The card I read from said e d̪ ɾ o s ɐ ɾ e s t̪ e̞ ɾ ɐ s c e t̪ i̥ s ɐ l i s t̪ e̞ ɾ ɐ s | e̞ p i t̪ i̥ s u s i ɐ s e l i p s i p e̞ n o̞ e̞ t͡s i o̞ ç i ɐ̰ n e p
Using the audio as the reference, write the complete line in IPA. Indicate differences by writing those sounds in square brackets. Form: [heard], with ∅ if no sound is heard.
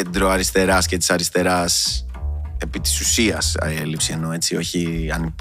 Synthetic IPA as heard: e d̪ ɾ o [∅] ɐ ɾ [i] s t̪ e̞ ɾ ɐ s c e t̪ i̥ s ɐ [ɾ] i s t̪ e̞ ɾ ɐ s | e̞ p i t̪ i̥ s u s i ɐ s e l i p s i [∅] e̞ n o̞ e̞ t͡s i o̞ ç i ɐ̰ n [i] p